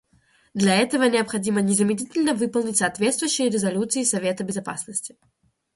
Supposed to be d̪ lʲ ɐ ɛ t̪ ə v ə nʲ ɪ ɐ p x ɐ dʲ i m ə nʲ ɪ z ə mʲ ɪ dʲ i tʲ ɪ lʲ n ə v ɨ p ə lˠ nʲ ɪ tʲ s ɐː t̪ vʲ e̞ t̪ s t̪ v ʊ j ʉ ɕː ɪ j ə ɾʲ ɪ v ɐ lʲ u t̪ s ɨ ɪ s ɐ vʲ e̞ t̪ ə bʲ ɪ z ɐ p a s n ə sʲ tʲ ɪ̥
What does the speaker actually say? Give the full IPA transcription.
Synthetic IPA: d̪ lʲ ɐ ɛ t̪ ə v ə nʲ ɪ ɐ p x ɐ dʲ i m ə nʲ ɪ z ə mʲ ɪ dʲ i tʲ ɪ lʲ n ə v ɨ p ə lˠ nʲ ɪ tʲ s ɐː t̪ vʲ e̞ t̪ s t̪ v ʊ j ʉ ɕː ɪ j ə ɾʲ ɪ z ɐ lʲ u t̪ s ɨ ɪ s ɐ vʲ e̞ t̪ ə bʲ ɪ z ɐ p a s n ə sʲ tʲ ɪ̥

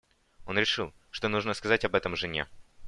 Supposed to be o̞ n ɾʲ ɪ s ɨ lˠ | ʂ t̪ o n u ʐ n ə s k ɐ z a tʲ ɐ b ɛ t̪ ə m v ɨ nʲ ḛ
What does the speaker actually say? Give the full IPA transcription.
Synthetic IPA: o̞ n ɾʲ ɪ ʂ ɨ lˠ | ʂ t̪ o n u ʐ n ə s k ɐ z a tʲ ɐ b ɛ t̪ ə m ʐ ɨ nʲ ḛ

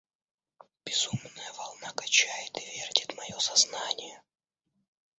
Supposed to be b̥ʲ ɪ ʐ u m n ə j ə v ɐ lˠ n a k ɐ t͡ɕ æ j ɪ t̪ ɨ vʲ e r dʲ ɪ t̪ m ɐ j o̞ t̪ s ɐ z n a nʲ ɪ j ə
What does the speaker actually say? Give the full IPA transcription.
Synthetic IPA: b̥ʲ ɪ z u m n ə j ə v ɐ lˠ n a k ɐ t͡ɕ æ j ɪ t̪ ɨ vʲ e r dʲ ɪ t̪ m ɐ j o̞ s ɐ z n a nʲ ɪ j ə

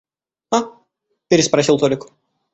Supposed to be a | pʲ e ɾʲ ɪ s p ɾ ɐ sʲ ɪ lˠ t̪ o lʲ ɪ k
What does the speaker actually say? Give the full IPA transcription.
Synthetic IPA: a | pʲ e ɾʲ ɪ s p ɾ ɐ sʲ i lˠ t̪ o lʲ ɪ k

